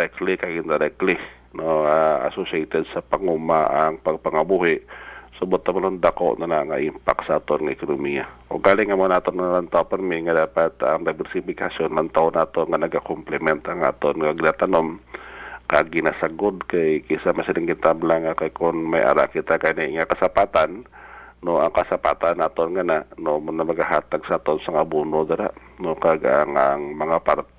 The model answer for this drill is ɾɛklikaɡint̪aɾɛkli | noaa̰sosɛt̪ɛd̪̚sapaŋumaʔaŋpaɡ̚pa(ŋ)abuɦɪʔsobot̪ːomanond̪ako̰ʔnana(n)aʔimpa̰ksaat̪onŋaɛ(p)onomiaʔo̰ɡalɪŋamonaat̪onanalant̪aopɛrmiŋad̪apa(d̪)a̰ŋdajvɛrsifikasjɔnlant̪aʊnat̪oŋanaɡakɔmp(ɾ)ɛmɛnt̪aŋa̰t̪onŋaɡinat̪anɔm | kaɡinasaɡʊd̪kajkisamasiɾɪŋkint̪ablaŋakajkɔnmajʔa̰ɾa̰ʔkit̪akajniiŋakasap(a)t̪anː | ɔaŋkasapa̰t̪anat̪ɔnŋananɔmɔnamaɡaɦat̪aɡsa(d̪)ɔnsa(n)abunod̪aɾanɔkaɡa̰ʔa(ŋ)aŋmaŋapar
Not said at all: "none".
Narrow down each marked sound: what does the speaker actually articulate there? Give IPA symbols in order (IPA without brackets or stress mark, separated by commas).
ŋ, ŋ, k, t̪, l, a, t̪, ŋ, ŋ